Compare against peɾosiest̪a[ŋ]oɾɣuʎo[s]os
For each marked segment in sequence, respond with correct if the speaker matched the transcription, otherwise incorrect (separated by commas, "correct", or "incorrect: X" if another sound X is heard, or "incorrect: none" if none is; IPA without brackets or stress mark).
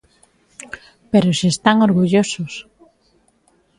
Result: correct, correct